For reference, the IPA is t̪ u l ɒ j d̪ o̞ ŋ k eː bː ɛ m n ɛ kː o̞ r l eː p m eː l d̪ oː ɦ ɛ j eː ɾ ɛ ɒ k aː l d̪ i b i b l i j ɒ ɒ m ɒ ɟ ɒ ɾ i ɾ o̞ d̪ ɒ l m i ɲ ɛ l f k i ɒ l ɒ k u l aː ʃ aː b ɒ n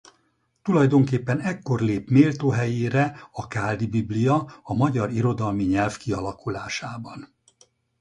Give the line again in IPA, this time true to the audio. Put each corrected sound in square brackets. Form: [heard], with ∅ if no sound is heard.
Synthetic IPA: t̪ u l ɒ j d̪ o̞ ŋ k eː [pː] ɛ [∅] n ɛ kː o̞ r l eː p m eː l [t̪] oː ɦ ɛ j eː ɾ ɛ ɒ k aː l d̪ i b i b l i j ɒ ɒ m ɒ ɟ ɒ ɾ i ɾ o̞ d̪ ɒ l m i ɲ ɛ l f k i ɒ l ɒ k u l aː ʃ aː b ɒ n

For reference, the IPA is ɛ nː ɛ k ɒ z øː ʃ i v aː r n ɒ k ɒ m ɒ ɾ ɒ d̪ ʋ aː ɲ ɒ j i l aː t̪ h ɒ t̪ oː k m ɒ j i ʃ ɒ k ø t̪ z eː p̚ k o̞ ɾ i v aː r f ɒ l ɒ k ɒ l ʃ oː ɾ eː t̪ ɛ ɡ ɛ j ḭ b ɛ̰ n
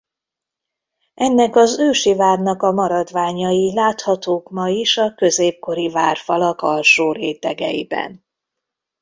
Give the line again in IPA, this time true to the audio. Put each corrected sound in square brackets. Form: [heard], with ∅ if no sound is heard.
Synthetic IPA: ɛ nː ɛ k ɒ z øː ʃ i v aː r n ɒ k ɒ m ɒ ɾ ɒ d̪ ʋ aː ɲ ɒ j i l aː t̪ h ɒ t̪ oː k m ɒ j i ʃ ɒ k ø [∅] z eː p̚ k o̞ ɾ i v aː r f ɒ l ɒ k ɒ l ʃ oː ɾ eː t̪ ɛ ɡ ɛ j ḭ b ɛ̰ n

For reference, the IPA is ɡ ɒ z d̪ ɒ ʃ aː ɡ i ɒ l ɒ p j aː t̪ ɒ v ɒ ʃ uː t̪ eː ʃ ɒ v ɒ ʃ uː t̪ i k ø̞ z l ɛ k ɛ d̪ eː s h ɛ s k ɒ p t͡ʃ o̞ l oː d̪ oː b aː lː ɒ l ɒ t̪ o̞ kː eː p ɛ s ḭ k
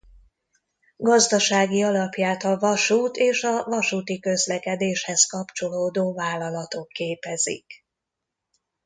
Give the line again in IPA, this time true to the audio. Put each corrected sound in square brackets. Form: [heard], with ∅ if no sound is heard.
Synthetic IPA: ɡ ɒ z d̪ ɒ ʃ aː ɡ i ɒ l ɒ p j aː t̪ ɒ v ɒ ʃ uː t̪ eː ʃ ɒ v ɒ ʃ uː t̪ i k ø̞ z l ɛ k ɛ d̪ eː [ʃ] h ɛ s k ɒ p t͡ʃ o̞ l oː d̪ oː [v] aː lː ɒ l ɒ t̪ o̞ kː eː p ɛ [z] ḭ k

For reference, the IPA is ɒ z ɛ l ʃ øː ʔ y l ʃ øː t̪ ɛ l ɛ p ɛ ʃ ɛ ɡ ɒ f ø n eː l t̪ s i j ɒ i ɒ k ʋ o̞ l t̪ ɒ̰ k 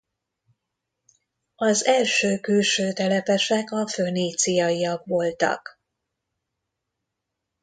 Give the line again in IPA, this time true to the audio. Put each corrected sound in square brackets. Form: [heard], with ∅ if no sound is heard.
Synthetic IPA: ɒ z ɛ l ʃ øː [k] y l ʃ øː t̪ ɛ l ɛ p ɛ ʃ ɛ [k] ɒ f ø n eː [∅] t̪ s i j ɒ i ɒ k ʋ o̞ l t̪ ɒ̰ k

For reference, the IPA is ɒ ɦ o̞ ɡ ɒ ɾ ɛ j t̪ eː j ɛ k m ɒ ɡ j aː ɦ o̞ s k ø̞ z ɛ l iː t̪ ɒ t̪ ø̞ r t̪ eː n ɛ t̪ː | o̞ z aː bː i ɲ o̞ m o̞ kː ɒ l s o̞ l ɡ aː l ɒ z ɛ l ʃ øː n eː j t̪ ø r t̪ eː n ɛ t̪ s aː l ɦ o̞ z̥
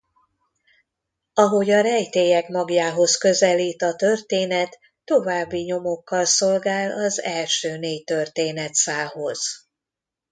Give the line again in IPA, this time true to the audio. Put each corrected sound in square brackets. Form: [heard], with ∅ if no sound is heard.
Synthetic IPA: ɒ ɦ o̞ [ɟ] ɒ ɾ ɛ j t̪ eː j ɛ k m ɒ ɡ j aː ɦ o̞ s k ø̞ z ɛ l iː t̪ ɒ t̪ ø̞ r t̪ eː n ɛ t̪ː | o̞ [v] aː bː i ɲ o̞ m o̞ kː ɒ l s o̞ l ɡ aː l ɒ z ɛ l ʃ øː n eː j t̪ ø r t̪ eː n ɛ t̪ s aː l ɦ o̞ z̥

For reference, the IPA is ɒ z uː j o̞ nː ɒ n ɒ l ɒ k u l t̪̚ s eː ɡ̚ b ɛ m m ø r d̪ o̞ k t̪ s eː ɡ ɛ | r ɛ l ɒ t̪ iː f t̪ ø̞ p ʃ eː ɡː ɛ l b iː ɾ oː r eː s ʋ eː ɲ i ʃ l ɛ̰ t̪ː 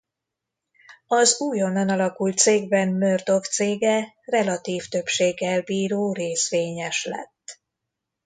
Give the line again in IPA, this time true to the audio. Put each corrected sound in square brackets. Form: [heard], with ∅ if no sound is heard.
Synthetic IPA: ɒ z uː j o̞ nː ɒ n ɒ l ɒ k u l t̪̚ s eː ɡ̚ b ɛ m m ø r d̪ o̞ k t̪ s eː ɡ ɛ | r ɛ l ɒ t̪ iː f t̪ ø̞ p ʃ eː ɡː ɛ l b iː ɾ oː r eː s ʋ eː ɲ [ɛ] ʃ l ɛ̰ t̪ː

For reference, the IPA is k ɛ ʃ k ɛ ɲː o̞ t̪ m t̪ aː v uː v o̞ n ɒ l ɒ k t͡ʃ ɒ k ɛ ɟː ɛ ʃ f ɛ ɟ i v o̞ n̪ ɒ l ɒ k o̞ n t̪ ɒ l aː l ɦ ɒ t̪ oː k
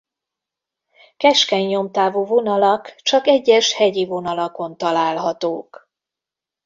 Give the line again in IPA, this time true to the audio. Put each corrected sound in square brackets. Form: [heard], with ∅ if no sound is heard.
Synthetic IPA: k ɛ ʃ k ɛ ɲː o̞ [∅] m t̪ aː v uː v o̞ n ɒ l ɒ k t͡ʃ ɒ k ɛ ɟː ɛ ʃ [h] ɛ ɟ i v o̞ n̪ ɒ l ɒ k o̞ n t̪ ɒ l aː l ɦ ɒ t̪ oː k

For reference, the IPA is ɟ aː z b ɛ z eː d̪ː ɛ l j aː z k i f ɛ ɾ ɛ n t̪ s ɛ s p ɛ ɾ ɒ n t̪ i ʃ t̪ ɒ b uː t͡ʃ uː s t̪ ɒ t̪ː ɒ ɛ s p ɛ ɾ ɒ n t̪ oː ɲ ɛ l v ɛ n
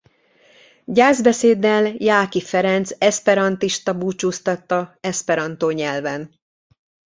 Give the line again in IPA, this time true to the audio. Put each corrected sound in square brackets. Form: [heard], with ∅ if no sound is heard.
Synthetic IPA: ɟ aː z b ɛ [s] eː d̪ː ɛ l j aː [∅] k i f ɛ ɾ ɛ n t̪ s ɛ s p ɛ ɾ ɒ n t̪ i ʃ t̪ ɒ b uː t͡ʃ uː s t̪ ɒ t̪ː ɒ ɛ s p ɛ ɾ ɒ n t̪ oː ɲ ɛ l v ɛ n

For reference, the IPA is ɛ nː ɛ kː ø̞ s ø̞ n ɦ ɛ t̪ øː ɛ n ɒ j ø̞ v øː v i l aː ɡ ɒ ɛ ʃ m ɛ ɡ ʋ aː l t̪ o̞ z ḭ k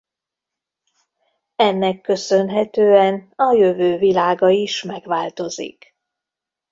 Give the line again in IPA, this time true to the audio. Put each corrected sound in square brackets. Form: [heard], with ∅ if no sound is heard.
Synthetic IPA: ɛ nː ɛ kː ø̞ s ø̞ n ɦ ɛ t̪ øː ɛ n ɒ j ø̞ v øː v i l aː ɡ ɒ [i] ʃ m ɛ ɡ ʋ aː l t̪ o̞ z ḭ k

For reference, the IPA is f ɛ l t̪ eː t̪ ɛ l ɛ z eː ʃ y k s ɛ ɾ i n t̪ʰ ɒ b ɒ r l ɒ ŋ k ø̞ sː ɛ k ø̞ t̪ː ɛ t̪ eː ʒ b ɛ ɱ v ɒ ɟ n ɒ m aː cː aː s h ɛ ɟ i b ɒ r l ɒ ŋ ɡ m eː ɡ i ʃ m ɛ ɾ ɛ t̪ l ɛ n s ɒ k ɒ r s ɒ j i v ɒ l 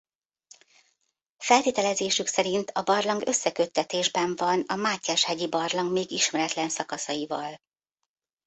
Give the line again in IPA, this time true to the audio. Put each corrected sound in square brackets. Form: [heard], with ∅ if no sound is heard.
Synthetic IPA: f ɛ l t̪ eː t̪ ɛ l ɛ z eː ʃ y k s ɛ ɾ i n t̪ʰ ɒ b ɒ r l ɒ ŋ [ɡ] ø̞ sː ɛ k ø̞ t̪ː ɛ t̪ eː ʒ b ɛ ɱ v ɒ [∅] n ɒ m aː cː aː [ʃ] h ɛ ɟ i b ɒ r l ɒ ŋ ɡ m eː ɡ i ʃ m ɛ ɾ ɛ t̪ l ɛ n s ɒ k ɒ [∅] s ɒ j i v ɒ l

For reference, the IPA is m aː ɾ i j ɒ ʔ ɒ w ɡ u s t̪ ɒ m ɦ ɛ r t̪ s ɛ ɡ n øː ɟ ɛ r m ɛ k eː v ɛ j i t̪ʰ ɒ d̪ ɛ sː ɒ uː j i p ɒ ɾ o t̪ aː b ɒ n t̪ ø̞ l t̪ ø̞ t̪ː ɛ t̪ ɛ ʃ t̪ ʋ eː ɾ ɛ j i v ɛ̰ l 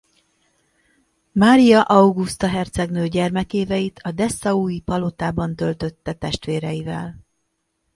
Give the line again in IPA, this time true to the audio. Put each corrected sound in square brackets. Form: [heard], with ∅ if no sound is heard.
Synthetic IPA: m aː ɾ i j ɒ ʔ ɒ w ɡ u s t̪ ɒ [∅] ɦ ɛ r t̪ s ɛ ɡ n øː ɟ ɛ r m ɛ k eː v ɛ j i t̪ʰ ɒ d̪ ɛ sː ɒ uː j i p ɒ [l] o t̪ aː b ɒ n t̪ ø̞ l t̪ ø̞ t̪ː ɛ t̪ ɛ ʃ t̪ ʋ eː ɾ ɛ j i v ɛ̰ l

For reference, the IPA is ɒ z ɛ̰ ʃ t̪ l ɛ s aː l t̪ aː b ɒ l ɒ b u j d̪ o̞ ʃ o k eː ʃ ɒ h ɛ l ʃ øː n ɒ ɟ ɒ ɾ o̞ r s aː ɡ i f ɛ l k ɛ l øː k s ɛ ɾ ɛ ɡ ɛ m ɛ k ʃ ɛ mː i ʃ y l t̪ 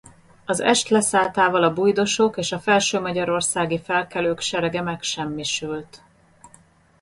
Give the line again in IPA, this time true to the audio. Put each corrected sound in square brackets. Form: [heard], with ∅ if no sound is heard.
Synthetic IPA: ɒ z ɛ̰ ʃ t̪ l ɛ s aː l t̪ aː [v] ɒ l ɒ b u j d̪ o̞ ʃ o k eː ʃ ɒ [f] ɛ l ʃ øː [m] ɒ ɟ ɒ ɾ o̞ r s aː ɡ i f ɛ l k ɛ l øː k [ʃ] ɛ ɾ ɛ ɡ ɛ m ɛ k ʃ ɛ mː i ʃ y l t̪

